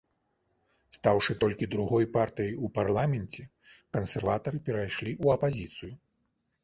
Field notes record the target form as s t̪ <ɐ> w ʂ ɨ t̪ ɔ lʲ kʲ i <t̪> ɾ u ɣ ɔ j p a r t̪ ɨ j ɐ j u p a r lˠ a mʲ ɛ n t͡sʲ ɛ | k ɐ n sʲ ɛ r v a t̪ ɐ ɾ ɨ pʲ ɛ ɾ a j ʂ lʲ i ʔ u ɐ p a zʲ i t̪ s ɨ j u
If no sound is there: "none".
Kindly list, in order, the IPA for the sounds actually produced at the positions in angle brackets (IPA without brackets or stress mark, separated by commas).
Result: a, d̪